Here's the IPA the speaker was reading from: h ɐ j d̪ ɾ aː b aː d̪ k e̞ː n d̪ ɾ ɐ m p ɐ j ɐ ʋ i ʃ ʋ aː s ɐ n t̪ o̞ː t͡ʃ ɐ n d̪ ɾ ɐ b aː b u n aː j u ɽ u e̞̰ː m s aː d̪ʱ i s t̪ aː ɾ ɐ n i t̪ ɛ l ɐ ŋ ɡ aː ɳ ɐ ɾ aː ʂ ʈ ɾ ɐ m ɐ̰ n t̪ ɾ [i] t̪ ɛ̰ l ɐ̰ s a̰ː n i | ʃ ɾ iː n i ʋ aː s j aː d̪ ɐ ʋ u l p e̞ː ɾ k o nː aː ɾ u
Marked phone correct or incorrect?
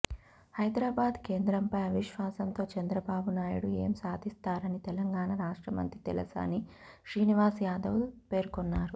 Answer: correct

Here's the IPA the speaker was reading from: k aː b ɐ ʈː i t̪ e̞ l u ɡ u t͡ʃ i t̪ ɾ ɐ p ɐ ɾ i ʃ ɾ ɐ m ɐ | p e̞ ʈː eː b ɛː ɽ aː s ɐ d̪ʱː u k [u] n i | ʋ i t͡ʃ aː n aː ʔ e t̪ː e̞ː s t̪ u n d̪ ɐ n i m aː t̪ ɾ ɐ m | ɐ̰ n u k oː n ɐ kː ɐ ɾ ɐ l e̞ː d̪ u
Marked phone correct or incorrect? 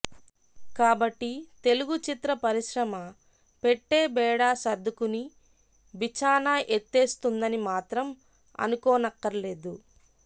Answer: correct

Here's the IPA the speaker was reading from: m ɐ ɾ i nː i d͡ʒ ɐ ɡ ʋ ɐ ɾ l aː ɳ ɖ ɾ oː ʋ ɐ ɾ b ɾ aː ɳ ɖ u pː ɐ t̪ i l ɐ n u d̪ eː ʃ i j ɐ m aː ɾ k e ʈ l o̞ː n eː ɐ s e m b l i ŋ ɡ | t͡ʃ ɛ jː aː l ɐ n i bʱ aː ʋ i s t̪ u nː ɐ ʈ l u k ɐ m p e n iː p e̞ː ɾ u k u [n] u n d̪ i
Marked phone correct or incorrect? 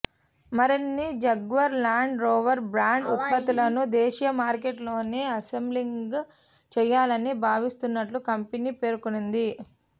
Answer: correct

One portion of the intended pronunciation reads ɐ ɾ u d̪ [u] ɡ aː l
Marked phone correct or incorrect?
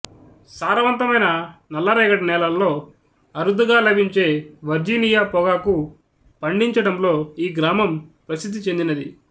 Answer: correct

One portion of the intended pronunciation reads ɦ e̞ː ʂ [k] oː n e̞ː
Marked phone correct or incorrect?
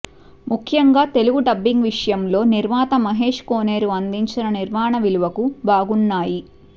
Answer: correct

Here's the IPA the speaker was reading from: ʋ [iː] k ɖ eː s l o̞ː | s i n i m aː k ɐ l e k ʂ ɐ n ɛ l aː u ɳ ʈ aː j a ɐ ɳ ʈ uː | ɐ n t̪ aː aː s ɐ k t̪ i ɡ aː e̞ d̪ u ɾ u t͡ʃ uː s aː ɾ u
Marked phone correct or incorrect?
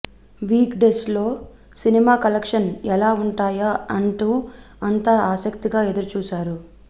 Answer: correct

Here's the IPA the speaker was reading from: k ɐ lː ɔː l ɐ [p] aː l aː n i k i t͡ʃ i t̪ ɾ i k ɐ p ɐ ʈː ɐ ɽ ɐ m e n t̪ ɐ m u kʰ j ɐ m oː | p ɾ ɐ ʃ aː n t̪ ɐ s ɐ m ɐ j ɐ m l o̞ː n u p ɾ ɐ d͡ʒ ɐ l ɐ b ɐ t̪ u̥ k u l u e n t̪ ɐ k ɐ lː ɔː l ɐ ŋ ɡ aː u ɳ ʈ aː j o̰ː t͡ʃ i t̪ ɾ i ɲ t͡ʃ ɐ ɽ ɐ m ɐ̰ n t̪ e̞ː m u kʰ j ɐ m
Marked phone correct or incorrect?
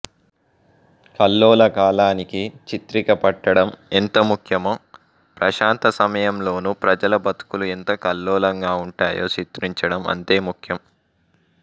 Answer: incorrect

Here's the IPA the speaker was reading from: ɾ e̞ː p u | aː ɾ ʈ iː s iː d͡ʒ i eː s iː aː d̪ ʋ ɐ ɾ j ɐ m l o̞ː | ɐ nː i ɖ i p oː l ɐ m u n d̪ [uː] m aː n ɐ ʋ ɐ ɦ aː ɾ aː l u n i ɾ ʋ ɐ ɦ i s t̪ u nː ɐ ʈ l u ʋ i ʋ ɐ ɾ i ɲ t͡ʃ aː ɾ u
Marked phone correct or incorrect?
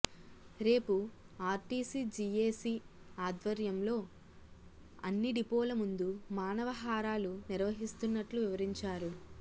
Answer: incorrect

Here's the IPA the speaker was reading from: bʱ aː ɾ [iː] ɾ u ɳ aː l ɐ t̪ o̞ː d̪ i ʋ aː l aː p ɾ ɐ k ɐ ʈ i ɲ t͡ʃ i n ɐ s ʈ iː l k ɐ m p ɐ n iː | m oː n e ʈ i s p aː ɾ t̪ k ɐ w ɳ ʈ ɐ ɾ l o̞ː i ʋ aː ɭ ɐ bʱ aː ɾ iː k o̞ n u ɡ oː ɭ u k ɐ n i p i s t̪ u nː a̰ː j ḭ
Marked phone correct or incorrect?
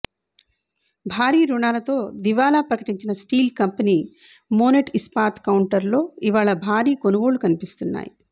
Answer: correct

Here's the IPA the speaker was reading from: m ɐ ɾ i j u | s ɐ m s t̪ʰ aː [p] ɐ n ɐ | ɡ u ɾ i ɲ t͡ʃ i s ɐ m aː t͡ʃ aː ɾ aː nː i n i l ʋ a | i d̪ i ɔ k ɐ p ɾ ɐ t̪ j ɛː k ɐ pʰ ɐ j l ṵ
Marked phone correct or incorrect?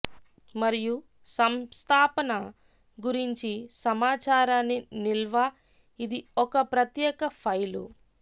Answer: correct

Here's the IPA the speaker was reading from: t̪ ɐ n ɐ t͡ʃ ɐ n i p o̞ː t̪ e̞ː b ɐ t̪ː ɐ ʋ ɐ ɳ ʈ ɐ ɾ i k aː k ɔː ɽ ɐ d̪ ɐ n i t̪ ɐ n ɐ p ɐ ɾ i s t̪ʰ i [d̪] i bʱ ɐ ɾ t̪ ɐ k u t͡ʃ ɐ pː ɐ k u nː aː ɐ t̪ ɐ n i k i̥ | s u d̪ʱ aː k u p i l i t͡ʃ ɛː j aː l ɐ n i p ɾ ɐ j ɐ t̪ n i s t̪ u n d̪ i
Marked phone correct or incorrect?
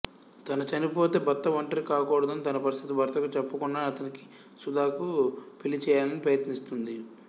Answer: incorrect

